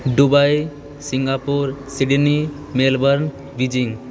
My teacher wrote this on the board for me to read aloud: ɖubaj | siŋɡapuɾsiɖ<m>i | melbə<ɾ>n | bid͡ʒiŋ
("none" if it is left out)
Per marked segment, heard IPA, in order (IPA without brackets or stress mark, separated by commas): n, ɾ